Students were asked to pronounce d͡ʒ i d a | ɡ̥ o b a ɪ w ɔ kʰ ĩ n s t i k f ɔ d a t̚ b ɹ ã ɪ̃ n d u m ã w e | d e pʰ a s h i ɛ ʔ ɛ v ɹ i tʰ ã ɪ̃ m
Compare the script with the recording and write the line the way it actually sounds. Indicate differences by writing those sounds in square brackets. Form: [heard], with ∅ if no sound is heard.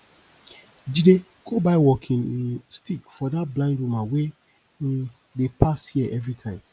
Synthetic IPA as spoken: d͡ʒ i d [e] | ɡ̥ o b a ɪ w ɔ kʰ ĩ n s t i k f ɔ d a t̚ b [l] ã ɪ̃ n d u m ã w e | d e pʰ a s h i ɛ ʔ ɛ v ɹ i tʰ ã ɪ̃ m